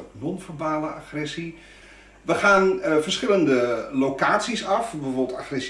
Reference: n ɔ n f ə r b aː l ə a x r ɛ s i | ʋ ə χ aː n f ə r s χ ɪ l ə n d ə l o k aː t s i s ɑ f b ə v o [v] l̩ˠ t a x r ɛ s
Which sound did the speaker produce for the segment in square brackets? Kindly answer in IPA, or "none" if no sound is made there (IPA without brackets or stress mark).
b